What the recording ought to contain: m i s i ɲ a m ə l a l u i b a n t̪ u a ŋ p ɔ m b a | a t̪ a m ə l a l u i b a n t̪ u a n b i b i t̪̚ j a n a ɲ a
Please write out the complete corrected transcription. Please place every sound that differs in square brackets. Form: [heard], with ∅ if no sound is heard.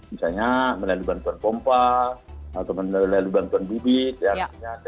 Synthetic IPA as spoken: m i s [a] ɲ a m ə l a l u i b a n t̪ u a [n] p ɔ m [p] a | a t̪ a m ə l a l u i b a n t̪ u a n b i b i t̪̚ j a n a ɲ a